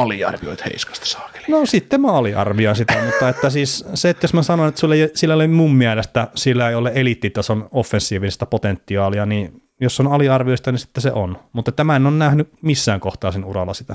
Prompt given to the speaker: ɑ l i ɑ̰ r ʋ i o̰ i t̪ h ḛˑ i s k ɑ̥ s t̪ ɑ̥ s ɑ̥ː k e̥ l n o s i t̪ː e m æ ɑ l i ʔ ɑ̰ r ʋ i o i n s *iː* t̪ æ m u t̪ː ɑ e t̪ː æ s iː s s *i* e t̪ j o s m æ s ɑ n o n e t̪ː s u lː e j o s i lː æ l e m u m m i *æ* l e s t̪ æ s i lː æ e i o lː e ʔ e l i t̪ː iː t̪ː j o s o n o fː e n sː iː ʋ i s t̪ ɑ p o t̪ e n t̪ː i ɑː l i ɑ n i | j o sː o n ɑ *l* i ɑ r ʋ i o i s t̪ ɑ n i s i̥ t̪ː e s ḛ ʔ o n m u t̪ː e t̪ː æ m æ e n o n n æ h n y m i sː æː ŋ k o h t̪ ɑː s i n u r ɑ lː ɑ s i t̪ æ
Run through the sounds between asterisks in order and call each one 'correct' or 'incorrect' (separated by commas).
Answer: incorrect, incorrect, correct, correct